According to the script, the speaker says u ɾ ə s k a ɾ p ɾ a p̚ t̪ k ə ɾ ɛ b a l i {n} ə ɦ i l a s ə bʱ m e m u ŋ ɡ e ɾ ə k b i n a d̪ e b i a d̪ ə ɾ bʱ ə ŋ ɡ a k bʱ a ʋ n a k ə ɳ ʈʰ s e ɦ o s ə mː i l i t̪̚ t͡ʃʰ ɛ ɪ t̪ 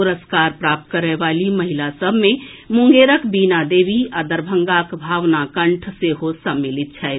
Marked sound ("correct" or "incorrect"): incorrect